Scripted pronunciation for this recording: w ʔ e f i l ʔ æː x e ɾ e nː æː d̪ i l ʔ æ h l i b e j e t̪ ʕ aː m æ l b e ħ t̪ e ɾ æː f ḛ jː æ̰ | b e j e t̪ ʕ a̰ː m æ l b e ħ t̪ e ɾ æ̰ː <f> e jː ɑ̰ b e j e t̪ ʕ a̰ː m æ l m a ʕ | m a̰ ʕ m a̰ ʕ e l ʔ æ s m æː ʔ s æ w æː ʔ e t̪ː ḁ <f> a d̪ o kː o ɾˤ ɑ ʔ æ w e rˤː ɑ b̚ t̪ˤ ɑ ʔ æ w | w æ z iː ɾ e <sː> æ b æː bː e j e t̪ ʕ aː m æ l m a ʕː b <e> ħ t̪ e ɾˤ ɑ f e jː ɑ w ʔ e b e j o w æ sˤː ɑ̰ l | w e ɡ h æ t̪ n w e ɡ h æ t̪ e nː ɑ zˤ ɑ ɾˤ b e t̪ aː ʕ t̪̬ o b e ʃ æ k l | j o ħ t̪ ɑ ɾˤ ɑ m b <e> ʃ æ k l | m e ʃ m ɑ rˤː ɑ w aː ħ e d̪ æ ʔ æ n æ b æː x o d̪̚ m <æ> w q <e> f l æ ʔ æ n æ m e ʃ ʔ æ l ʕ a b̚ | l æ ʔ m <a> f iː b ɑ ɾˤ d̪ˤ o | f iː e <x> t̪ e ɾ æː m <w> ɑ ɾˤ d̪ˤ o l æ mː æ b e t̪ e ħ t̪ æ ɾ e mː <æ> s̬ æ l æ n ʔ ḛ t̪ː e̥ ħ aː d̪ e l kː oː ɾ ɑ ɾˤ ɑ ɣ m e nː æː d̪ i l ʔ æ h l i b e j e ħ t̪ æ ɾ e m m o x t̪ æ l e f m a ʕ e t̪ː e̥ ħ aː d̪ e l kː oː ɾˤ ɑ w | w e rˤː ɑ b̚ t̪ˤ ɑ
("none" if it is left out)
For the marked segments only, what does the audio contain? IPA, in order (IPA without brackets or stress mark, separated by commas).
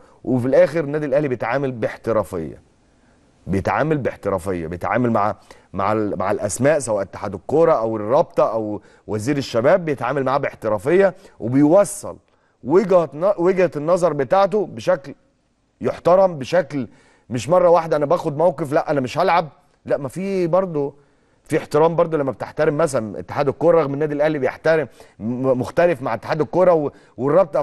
f, ħ, ʃː, e, e, æ, e, æ, ħ, b, æ